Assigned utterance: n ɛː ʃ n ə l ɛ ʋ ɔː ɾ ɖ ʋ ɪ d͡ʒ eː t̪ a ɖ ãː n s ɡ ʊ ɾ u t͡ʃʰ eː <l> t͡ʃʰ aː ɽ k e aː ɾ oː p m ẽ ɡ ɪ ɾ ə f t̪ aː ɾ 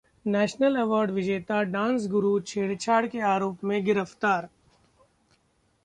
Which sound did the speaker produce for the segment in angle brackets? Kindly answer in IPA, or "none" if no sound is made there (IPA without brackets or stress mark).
ɽ